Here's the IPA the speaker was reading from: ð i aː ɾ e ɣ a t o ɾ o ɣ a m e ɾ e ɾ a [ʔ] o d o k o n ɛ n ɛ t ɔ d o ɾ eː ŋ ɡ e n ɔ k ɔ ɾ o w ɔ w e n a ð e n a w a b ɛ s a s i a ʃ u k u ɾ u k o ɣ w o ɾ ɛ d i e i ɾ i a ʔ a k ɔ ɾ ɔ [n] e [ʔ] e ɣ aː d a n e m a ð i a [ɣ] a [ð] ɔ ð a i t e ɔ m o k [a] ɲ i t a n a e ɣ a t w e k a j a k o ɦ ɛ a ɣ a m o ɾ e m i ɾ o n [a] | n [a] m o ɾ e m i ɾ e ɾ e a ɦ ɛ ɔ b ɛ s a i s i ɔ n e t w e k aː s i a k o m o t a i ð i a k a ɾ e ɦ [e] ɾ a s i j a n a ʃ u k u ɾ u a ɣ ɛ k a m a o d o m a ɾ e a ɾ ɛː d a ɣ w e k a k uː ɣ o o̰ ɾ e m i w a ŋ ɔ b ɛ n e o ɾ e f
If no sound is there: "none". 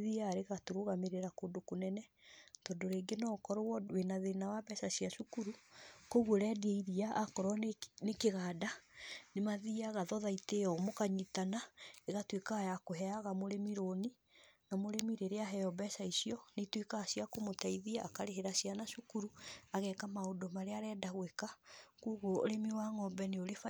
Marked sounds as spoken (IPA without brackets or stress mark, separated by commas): k, n, k, ɣ, ð, a, i, a, e